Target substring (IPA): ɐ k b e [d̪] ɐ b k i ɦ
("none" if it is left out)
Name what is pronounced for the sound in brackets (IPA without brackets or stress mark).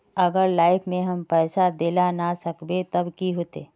t̪